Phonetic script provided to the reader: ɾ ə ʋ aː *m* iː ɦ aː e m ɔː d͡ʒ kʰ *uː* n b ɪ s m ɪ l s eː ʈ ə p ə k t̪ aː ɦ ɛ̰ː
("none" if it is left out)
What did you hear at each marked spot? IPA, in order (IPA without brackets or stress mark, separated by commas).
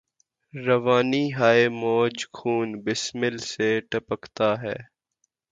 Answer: n, uː